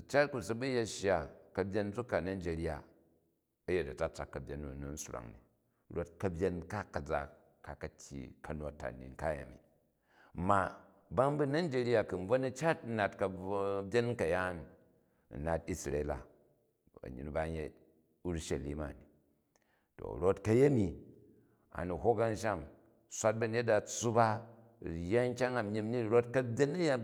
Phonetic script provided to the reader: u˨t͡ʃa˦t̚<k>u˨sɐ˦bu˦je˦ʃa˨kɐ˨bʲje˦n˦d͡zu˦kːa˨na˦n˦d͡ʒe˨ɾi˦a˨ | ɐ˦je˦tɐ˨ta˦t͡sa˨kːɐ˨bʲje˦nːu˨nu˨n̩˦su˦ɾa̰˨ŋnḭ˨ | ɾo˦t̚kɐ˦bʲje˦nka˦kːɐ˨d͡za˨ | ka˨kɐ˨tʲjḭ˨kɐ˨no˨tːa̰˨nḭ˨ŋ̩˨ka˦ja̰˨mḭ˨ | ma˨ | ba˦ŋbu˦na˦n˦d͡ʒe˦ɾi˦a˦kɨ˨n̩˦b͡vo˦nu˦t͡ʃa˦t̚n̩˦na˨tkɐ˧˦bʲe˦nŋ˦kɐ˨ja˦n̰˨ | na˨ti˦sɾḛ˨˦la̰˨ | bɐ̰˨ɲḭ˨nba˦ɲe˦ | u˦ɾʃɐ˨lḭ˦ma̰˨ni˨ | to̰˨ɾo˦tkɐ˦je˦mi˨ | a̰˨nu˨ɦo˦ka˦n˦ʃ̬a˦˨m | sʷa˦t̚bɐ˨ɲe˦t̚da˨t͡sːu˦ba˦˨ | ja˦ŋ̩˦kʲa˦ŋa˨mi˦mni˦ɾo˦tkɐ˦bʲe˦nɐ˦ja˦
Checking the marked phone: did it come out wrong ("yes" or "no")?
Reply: no